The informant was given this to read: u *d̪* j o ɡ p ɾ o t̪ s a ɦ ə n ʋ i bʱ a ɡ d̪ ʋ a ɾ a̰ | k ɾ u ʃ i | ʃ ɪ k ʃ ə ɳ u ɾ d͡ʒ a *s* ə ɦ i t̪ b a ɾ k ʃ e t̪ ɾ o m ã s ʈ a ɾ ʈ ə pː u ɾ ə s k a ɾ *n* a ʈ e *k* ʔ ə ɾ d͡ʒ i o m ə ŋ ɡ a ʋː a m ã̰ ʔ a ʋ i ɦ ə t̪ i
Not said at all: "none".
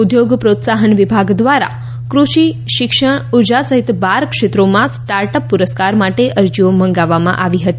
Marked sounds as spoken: d̪, s, m, none

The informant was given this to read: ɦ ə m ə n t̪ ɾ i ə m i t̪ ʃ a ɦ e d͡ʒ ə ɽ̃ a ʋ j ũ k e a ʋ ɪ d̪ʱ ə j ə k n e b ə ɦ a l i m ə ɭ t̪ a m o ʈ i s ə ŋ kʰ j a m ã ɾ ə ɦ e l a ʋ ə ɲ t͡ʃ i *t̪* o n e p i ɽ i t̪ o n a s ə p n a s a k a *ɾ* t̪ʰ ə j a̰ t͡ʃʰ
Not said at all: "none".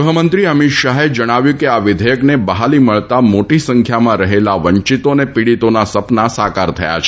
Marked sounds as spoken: t̪, ɾ

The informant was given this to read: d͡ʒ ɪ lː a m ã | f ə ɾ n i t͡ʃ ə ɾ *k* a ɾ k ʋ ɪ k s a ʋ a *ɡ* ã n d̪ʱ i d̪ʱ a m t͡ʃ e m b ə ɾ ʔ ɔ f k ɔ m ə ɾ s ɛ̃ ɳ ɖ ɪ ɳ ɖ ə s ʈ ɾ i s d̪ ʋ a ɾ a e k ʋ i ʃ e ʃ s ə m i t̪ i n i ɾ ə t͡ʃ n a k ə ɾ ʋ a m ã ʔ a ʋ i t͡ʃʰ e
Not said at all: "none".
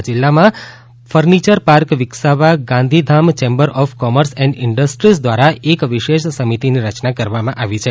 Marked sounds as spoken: p, ɡ

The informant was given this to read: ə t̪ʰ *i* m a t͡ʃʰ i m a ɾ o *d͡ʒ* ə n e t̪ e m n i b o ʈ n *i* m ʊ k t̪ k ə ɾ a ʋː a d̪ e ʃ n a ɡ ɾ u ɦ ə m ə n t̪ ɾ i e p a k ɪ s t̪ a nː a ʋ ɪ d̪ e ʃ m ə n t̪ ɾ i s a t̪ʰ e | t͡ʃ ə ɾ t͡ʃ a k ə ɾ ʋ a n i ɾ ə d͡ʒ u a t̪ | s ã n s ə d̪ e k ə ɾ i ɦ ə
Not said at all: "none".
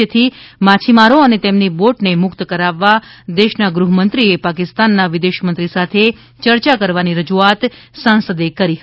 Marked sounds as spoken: i, none, e

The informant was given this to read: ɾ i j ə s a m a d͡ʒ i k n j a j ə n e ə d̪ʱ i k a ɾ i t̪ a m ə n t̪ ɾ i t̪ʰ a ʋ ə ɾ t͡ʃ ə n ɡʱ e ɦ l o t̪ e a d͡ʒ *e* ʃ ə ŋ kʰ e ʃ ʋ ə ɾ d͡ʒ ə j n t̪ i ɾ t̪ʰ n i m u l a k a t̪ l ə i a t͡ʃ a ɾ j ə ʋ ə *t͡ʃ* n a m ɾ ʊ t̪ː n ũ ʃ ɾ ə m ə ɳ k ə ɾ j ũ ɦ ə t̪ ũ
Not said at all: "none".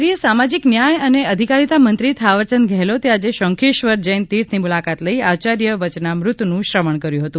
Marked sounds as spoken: e, t͡ʃ

